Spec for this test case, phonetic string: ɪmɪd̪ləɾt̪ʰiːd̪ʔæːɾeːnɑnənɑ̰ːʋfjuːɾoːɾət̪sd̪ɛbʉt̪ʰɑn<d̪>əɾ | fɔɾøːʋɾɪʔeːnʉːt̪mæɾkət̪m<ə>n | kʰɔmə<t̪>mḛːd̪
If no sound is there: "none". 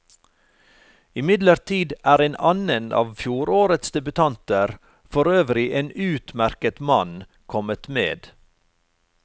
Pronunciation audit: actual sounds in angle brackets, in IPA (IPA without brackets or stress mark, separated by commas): t̪, ɑ, t̪